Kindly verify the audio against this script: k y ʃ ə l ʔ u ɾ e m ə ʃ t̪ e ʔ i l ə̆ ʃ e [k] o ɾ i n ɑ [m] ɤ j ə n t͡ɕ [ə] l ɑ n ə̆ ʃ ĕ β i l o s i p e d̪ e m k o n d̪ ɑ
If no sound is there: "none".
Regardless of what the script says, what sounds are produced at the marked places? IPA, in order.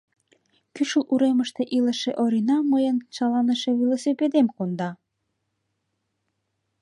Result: ʔ, m, ɑ

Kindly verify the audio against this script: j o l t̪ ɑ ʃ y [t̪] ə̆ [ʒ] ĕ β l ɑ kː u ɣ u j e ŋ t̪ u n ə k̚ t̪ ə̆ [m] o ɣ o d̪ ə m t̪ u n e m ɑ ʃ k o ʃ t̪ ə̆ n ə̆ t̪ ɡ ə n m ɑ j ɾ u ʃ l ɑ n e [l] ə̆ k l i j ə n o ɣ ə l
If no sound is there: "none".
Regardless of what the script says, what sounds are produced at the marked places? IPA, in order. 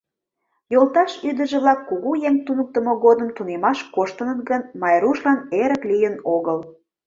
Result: d̪, ʒ, m, ɾ

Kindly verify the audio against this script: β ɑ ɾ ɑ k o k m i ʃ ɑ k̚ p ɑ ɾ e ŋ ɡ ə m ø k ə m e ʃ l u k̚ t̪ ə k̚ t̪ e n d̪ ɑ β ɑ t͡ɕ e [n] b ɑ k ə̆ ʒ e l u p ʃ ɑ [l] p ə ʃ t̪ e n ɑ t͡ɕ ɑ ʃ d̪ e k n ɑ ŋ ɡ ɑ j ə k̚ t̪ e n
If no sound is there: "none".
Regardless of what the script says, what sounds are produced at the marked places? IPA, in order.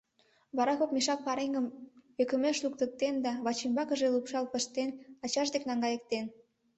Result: m, l

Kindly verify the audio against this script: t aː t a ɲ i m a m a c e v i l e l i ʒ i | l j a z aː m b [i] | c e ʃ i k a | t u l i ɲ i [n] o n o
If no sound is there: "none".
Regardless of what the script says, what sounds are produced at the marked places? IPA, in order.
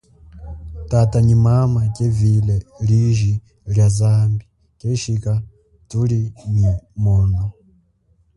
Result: i, m

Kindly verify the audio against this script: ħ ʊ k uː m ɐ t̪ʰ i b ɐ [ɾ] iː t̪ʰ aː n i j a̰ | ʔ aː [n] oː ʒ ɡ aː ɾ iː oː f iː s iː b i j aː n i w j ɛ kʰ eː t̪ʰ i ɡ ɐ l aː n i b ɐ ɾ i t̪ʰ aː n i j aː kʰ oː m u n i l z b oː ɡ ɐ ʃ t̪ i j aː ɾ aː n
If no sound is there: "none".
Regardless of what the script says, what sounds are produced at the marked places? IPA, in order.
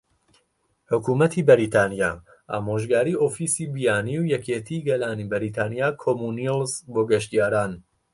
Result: ɾ, m

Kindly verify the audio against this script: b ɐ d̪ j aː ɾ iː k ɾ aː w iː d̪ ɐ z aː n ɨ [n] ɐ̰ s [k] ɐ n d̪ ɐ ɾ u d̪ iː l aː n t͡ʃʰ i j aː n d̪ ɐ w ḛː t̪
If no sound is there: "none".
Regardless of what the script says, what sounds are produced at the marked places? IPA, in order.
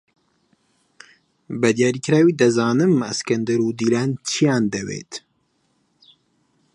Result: m, k

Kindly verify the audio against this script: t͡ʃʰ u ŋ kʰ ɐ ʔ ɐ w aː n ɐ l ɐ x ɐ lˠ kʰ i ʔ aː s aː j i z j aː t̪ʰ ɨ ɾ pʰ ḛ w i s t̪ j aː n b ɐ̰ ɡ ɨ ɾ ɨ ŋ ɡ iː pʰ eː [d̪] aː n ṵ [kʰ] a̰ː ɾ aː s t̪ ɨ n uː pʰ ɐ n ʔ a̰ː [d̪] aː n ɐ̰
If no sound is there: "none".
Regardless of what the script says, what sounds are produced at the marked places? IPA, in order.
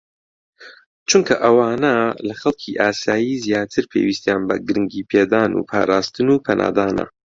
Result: d̪, pʰ, d̪

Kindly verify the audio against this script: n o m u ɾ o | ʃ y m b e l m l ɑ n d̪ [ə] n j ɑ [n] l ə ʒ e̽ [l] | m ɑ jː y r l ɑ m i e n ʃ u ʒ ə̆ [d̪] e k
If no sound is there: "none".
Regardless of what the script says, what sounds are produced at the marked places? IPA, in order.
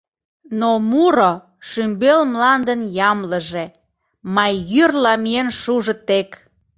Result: ə, m, none, t̪

